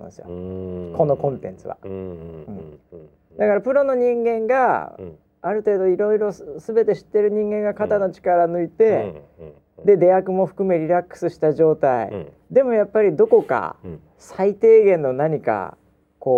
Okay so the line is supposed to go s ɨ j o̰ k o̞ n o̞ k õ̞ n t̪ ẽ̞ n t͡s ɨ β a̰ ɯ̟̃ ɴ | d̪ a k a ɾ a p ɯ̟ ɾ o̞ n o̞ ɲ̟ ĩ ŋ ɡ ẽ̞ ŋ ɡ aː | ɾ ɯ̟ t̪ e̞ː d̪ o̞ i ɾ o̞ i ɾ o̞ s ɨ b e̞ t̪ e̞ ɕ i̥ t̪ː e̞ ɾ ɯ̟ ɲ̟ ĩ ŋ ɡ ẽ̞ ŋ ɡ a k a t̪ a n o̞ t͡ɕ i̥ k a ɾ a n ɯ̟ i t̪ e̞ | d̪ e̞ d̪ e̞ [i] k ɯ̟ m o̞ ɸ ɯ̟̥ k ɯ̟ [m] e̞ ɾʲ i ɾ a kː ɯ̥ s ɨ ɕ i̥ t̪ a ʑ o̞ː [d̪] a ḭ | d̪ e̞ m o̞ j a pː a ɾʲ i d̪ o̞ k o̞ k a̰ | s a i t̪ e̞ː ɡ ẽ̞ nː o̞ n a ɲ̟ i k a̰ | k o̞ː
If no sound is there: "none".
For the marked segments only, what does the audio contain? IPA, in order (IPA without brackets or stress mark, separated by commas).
a, m, t̪